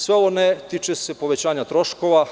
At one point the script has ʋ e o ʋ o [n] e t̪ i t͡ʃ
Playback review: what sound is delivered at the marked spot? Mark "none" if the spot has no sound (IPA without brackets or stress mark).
n